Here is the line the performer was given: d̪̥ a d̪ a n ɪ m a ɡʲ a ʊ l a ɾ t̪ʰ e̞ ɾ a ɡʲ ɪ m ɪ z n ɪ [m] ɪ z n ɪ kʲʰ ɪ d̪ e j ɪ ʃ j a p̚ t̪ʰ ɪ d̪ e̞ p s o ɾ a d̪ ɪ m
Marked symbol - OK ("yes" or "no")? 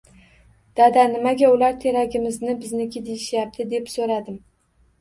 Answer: no